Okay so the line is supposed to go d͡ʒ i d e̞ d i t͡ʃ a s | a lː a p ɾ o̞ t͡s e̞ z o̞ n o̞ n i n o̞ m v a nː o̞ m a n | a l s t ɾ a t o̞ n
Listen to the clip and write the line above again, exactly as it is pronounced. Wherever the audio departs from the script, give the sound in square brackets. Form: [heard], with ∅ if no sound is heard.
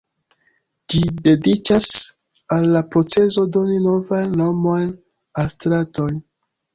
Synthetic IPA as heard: d͡ʒ i d e̞ d i t͡ʃ a s | a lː a p ɾ o̞ t͡s e̞ z o̞ [d] o̞ n i n o̞ [∅] v a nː o̞ m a n | a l s t ɾ a t o̞ n